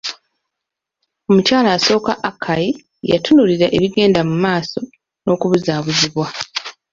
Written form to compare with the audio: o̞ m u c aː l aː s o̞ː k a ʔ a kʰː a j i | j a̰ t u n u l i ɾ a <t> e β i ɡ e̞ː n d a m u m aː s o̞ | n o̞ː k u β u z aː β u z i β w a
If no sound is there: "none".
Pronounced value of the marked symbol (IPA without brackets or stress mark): ʔ